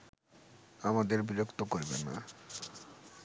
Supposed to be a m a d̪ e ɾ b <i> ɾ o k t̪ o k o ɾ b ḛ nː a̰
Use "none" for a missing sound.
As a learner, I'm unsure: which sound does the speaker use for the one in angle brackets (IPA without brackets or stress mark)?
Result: i